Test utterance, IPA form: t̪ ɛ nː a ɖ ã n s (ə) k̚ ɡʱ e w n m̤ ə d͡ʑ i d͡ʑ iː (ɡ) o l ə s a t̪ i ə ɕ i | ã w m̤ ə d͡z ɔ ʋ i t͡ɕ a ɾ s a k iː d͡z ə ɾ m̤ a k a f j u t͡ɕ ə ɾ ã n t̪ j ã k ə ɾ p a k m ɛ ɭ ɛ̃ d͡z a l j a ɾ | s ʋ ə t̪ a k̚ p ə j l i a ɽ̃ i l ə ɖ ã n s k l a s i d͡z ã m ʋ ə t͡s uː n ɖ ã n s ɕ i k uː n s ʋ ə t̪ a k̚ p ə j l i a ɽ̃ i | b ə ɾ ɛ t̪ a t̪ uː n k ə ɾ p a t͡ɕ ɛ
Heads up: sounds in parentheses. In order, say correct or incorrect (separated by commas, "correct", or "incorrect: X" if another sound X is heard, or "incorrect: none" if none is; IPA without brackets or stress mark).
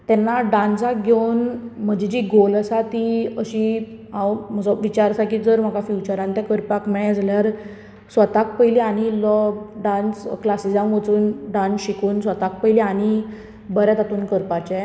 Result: incorrect: a, correct